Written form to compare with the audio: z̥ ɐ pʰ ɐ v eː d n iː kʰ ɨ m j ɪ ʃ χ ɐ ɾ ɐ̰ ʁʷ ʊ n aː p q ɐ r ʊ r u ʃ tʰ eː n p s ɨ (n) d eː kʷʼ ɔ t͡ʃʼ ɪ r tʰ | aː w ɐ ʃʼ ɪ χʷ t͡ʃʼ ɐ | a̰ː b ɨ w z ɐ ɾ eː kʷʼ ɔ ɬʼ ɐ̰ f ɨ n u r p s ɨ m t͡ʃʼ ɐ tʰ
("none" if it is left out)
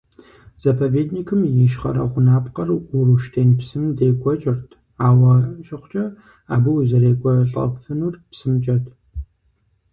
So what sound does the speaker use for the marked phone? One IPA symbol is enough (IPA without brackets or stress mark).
m